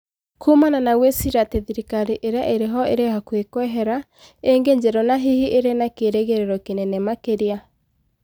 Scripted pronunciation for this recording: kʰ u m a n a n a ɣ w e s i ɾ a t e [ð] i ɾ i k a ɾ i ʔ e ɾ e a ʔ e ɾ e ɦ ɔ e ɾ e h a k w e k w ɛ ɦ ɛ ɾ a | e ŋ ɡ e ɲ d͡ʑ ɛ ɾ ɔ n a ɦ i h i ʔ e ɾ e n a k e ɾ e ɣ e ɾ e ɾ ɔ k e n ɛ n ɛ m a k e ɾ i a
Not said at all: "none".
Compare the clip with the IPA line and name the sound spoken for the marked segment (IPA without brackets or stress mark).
ð